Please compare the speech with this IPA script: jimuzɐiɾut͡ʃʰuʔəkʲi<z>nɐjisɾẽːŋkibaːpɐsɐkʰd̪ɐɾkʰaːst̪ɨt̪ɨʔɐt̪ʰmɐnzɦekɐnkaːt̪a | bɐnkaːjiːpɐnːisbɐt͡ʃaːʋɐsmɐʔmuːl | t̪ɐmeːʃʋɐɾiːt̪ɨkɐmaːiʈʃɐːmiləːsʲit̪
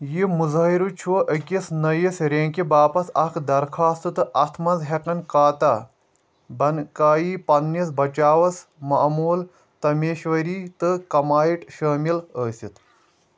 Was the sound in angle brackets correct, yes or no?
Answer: no